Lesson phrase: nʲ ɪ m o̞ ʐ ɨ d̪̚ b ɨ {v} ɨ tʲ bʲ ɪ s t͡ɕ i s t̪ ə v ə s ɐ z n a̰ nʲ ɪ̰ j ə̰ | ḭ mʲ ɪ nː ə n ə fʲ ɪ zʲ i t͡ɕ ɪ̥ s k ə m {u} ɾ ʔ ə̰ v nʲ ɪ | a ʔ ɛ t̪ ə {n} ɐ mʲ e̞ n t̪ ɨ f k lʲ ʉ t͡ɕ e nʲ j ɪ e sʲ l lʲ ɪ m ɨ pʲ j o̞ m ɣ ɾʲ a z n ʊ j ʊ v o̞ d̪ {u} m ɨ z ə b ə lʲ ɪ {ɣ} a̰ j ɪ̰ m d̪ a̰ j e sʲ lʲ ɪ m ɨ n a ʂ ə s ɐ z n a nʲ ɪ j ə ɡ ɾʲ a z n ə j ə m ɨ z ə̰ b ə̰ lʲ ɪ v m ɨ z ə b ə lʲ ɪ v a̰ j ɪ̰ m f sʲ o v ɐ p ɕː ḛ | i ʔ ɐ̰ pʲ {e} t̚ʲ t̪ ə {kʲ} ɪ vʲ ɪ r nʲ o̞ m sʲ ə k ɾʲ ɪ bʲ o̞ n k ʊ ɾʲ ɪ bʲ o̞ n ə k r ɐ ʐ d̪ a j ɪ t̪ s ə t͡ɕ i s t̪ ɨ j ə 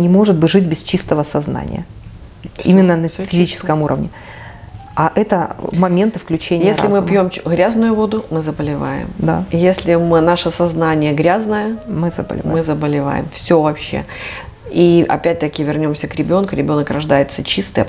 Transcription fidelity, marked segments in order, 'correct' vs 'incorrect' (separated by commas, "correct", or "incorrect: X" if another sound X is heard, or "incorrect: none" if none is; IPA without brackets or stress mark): incorrect: ʐ, correct, incorrect: m, incorrect: ʊ, incorrect: v, incorrect: æ, correct